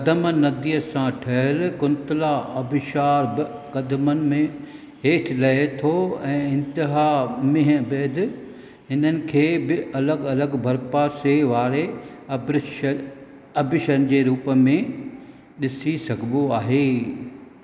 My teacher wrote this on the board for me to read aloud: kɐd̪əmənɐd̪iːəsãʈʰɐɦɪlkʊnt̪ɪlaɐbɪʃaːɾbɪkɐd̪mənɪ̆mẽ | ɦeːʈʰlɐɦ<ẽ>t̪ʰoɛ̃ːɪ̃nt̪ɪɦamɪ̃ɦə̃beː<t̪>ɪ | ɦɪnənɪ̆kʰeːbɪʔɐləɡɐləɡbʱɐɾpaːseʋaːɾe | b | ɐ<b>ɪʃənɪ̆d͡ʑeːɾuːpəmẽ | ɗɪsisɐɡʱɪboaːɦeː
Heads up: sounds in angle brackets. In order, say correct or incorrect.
incorrect, incorrect, correct

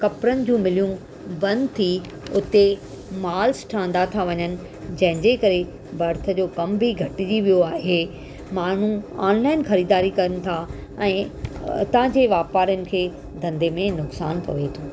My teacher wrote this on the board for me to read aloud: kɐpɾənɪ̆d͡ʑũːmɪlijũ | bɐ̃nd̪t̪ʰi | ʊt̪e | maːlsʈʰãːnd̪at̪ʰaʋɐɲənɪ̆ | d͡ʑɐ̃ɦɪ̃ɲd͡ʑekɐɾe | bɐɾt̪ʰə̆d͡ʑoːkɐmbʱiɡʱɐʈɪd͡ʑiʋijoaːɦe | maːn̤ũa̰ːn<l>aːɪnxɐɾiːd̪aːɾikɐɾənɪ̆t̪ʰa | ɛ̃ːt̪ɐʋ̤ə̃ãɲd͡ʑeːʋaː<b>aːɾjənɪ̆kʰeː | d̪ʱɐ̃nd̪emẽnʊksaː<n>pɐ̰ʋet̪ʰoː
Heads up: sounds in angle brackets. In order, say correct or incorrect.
correct, incorrect, correct

